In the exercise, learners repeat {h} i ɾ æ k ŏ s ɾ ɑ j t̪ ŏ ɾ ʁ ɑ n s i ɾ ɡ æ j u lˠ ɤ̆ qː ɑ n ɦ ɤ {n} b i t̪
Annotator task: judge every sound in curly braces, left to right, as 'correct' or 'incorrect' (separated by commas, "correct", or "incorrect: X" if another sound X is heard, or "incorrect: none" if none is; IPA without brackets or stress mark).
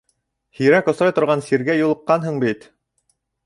correct, incorrect: ɴ